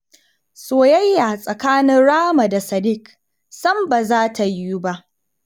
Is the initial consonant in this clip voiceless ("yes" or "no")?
yes